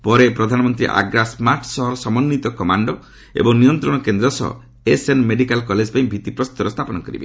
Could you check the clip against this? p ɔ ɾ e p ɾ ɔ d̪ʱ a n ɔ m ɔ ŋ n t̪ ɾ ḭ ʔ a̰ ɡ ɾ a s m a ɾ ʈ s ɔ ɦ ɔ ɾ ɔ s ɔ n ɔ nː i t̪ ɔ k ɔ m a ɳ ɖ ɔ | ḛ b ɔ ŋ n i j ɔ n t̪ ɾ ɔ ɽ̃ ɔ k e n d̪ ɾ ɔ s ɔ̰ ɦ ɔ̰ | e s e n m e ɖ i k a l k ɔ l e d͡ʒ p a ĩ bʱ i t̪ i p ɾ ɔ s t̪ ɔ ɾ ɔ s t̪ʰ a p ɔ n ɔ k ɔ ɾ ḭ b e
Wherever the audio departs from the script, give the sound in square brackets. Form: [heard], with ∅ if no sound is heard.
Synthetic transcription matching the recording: p ɔ ɾ e p ɾ ɔ d̪ʱ a n ɔ m ɔ [∅] n t̪ ɾ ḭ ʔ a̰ ɡ ɾ a s m a ɾ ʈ s ɔ ɦ ɔ ɾ ɔ s ɔ [m] ɔ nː i t̪ ɔ k ɔ m a ɳ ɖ ɔ | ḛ b ɔ ŋ n i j ɔ n t̪ ɾ ɔ ɽ̃ ɔ k e n d̪ ɾ ɔ s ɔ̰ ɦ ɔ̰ | e s e n m e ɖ i k a l k ɔ l e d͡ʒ p a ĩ bʱ i t̪ i p ɾ ɔ s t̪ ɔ ɾ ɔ s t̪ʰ a p ɔ n ɔ k ɔ ɾ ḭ b e